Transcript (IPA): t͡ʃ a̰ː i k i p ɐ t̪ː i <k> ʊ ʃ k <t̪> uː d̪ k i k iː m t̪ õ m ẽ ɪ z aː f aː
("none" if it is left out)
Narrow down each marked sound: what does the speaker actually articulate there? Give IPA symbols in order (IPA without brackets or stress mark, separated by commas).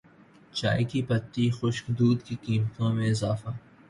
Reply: x, d̪